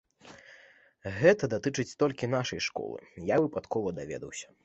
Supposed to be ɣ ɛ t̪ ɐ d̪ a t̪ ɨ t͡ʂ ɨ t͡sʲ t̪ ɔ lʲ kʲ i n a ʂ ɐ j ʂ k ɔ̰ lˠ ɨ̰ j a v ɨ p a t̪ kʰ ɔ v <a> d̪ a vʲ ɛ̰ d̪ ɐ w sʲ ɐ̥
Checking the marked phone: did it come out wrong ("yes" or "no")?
yes